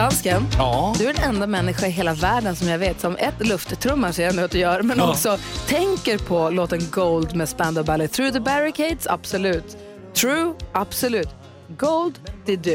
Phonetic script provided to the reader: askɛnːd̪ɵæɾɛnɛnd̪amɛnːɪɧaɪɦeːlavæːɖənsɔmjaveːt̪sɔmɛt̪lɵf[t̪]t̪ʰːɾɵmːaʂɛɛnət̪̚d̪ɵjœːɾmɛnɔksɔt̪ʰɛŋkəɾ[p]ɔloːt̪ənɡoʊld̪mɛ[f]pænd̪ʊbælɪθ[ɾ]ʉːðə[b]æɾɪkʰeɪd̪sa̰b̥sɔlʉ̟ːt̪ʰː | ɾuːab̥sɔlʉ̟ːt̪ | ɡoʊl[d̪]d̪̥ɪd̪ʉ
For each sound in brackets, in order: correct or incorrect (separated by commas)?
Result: correct, incorrect, incorrect, correct, correct, correct